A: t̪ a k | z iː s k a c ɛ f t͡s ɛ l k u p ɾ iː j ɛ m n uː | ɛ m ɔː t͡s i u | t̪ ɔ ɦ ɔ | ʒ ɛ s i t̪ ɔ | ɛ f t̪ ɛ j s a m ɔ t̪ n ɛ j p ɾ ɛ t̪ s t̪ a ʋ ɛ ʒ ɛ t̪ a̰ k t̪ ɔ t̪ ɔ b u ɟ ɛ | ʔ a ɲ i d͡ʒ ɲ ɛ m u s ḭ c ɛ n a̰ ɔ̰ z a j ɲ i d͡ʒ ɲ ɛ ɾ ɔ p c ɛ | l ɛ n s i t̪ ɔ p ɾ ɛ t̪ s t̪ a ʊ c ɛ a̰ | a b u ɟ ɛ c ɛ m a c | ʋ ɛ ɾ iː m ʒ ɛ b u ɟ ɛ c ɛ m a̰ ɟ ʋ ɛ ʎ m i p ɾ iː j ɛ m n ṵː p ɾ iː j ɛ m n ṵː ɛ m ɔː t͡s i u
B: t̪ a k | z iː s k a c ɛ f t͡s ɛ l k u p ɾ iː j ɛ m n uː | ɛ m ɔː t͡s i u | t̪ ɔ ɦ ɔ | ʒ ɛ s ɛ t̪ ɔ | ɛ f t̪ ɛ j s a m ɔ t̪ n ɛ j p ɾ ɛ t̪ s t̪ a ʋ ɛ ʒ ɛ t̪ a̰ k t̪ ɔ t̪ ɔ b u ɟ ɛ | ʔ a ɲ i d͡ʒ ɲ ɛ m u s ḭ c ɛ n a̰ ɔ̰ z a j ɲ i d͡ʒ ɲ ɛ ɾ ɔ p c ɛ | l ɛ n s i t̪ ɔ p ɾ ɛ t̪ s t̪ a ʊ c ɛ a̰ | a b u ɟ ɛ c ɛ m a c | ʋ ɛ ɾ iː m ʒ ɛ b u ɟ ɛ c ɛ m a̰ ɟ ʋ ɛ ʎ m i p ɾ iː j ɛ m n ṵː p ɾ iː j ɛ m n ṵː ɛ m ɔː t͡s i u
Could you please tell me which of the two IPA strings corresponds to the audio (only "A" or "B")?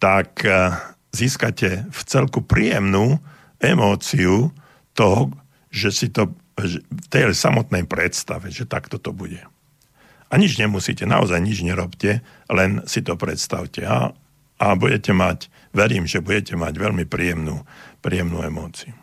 A